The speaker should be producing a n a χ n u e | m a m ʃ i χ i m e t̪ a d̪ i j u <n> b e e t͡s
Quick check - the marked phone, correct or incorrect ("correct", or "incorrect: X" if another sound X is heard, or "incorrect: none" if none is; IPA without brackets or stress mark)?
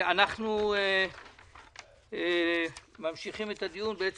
correct